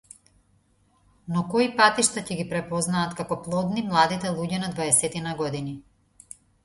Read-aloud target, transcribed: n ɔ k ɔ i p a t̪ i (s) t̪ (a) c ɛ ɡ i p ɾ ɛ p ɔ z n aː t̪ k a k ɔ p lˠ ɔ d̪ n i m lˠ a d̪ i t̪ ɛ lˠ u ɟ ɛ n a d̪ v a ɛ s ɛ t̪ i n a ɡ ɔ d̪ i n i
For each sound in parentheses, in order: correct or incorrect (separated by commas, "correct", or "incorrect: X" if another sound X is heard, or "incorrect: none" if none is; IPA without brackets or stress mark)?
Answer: incorrect: ʃ, correct